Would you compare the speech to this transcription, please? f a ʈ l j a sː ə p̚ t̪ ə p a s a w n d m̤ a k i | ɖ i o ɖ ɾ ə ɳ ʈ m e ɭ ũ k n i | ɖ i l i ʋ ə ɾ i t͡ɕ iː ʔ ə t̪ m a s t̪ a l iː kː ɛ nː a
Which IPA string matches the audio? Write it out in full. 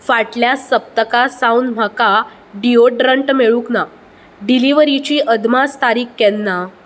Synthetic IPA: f a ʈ l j a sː ə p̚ t̪ ə k a s a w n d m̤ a k a | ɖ i o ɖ ɾ ə ɳ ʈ m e ɭ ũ k n a | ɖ i l i ʋ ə ɾ i t͡ɕ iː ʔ ə d̪ m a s t̪ a ɾ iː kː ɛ nː a